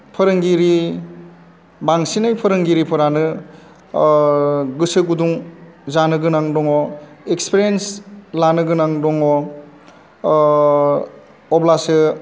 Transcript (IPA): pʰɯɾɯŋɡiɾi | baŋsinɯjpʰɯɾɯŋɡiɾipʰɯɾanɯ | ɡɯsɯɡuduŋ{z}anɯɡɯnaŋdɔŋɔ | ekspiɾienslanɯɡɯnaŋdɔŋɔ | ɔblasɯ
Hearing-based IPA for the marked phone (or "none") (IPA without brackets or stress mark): z